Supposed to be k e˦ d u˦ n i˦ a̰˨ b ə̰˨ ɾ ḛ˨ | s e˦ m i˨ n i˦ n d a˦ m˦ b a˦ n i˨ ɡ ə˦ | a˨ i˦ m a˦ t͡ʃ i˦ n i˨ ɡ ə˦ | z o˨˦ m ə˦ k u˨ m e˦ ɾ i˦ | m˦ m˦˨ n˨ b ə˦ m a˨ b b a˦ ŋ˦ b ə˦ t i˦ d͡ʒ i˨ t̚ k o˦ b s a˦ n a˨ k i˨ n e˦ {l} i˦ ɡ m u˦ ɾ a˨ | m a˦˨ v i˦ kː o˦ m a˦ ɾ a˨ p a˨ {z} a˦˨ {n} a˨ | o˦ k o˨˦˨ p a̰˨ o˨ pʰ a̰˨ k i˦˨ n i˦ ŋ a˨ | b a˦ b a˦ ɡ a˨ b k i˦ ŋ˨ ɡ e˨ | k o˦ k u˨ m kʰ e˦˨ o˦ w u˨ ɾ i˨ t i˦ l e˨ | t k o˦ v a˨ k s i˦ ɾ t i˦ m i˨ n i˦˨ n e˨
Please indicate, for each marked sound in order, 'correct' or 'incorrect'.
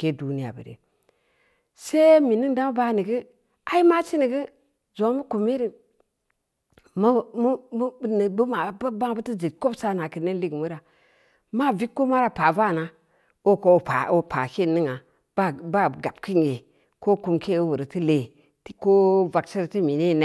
correct, incorrect, correct

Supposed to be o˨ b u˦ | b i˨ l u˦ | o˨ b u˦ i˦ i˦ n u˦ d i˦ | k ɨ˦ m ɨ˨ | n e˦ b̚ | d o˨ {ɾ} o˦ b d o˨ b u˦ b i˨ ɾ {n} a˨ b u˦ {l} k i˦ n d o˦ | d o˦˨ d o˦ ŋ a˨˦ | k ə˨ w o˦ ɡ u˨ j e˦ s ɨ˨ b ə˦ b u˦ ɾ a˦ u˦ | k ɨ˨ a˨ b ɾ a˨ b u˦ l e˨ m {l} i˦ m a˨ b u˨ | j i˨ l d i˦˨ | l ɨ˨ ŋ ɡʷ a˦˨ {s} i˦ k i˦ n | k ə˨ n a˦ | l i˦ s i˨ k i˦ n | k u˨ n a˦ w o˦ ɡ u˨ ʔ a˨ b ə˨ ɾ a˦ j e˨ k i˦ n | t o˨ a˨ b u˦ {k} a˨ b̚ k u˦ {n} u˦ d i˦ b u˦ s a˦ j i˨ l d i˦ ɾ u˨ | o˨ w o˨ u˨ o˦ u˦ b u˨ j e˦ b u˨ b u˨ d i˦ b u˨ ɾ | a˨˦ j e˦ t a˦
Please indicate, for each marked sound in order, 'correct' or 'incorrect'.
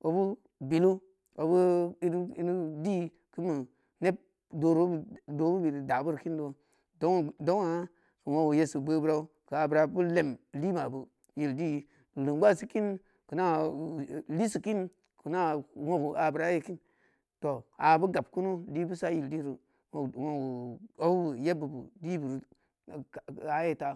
correct, incorrect, incorrect, correct, correct, incorrect, correct

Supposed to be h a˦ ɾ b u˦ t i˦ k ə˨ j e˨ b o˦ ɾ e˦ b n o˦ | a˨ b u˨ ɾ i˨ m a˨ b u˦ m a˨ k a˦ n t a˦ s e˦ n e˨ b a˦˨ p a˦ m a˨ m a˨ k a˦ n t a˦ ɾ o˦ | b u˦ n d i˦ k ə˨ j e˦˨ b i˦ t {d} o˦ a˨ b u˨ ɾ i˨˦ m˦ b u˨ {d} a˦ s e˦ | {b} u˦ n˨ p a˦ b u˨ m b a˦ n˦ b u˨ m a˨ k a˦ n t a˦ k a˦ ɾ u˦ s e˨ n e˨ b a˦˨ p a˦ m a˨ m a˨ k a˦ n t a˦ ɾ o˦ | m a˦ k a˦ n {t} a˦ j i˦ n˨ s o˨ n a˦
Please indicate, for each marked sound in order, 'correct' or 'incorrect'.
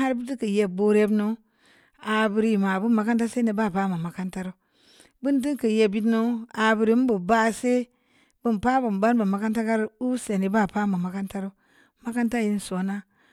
incorrect, incorrect, correct, correct

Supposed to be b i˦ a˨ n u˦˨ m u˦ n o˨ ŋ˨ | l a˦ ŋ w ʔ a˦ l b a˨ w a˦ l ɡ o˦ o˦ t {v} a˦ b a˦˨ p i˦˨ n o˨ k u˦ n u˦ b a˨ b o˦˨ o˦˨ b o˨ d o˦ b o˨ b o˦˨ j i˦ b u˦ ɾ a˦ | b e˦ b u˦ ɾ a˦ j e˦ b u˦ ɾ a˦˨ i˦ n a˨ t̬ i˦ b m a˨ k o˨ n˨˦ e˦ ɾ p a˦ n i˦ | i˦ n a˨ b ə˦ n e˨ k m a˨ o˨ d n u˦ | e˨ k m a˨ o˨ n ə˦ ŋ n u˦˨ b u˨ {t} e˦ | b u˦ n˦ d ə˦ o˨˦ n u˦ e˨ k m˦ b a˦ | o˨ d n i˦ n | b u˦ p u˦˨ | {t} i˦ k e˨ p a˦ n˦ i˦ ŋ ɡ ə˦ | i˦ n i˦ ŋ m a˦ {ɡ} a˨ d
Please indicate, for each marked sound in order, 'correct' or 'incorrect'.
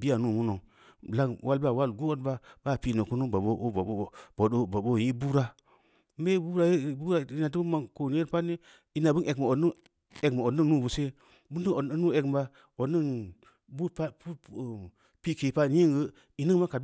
incorrect, incorrect, incorrect, incorrect

